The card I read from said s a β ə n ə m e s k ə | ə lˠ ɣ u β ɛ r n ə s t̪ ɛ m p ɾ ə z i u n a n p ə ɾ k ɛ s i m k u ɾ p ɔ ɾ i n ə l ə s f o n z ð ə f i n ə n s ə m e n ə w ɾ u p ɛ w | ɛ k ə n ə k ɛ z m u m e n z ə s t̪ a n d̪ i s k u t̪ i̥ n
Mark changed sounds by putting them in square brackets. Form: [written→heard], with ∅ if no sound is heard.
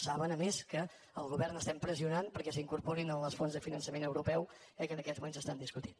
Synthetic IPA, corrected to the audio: s a β ə n ə m e s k ə | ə lˠ ɣ u β ɛ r n ə s t̪ ɛ m p ɾ ə z i u n a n p ə ɾ k ɛ s i [m→ŋ] k u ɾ p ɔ ɾ i n ə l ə s f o n z ð ə f i n ə n s ə m e n ə w ɾ u p ɛ w | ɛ k ə n ə k ɛ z m u m e n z ə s t̪ a n d̪ i s k u t̪ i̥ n

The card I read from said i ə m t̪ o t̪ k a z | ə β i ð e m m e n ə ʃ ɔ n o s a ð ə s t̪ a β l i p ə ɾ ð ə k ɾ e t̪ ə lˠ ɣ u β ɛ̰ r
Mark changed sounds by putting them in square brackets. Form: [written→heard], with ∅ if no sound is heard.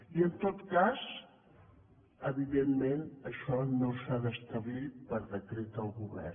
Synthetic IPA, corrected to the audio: i ə [m→n] t̪ o t̪ k a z | ə β i ð e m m e n ə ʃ ɔ n o s a ð ə s t̪ [a→ə] β l i p ə ɾ ð ə k ɾ e t̪ ə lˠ ɣ u β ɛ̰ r

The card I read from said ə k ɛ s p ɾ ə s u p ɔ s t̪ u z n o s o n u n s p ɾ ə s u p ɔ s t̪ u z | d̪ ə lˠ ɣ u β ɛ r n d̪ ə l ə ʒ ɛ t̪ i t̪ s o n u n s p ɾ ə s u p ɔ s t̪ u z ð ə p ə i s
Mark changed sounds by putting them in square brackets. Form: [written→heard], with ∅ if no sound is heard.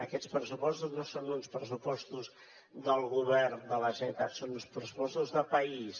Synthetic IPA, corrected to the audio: ə k ɛ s p ɾ ə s u p ɔ s t̪ u z n o s o n u n s p ɾ ə s u p ɔ s t̪ u z | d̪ ə lˠ ɣ u β ɛ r n d̪ ə l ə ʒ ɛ t̪ [i→a] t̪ s o n u n s p ɾ ə s u p ɔ s t̪ u z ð ə p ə i s

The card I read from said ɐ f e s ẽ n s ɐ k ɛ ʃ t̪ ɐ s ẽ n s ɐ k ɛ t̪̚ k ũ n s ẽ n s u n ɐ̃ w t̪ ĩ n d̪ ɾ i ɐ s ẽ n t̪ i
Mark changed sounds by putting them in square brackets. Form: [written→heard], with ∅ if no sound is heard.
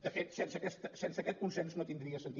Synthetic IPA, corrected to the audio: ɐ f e s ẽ n s ɐ k ɛ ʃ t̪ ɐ s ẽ n s ɐ k ɛ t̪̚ k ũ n s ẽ n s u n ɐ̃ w t̪ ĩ n d̪ ɾ i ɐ s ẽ n t̪ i

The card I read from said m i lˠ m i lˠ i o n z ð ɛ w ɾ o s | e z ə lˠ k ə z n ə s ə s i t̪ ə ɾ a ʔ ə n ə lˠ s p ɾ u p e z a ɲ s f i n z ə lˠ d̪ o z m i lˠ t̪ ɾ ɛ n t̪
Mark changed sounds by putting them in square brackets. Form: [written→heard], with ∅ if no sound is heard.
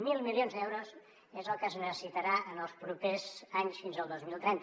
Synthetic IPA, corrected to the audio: m i lˠ m i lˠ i o n z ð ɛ w ɾ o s | e z ə lˠ k ə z n ə s ə s i t̪ ə ɾ a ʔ ə n ə lˠ s p ɾ u p e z a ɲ s f i n z ə lˠ d̪ o z m i lˠ t̪ ɾ ɛ n t̪

